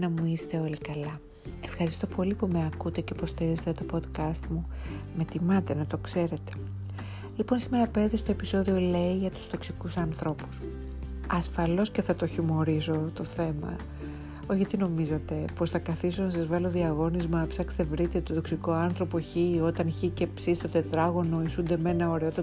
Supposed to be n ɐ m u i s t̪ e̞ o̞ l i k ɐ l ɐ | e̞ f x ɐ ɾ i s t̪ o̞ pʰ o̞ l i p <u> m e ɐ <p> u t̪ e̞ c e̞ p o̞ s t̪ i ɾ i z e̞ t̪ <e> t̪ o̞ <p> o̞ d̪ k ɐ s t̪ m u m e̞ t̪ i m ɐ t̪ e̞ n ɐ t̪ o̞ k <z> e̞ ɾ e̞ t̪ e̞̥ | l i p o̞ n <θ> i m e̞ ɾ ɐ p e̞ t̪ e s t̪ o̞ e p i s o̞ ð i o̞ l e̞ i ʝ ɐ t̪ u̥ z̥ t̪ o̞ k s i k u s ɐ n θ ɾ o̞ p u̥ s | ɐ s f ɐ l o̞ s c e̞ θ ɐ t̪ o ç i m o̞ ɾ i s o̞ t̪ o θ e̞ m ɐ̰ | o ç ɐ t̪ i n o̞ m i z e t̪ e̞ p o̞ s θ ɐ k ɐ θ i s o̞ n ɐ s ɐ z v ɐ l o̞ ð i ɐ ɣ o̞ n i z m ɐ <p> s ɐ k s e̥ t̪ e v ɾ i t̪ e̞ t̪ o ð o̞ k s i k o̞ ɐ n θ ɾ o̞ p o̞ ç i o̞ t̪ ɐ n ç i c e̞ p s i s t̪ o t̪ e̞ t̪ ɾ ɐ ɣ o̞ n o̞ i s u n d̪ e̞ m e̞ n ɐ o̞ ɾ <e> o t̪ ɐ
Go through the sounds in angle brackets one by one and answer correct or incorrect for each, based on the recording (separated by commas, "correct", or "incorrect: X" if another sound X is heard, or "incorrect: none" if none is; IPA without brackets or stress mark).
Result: correct, incorrect: k, correct, correct, incorrect: s, incorrect: s, correct, correct